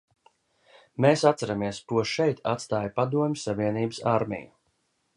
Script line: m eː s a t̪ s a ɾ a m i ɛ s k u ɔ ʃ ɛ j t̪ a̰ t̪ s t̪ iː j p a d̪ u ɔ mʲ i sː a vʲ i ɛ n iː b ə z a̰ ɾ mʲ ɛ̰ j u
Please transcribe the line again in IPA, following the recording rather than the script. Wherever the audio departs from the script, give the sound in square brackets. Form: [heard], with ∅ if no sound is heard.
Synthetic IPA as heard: m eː s a t̪ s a ɾ a m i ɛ s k u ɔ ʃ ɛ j t̪ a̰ t̪ s t̪ [aː] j p a d̪ u ɔ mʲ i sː a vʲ i ɛ n iː b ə [s] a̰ ɾ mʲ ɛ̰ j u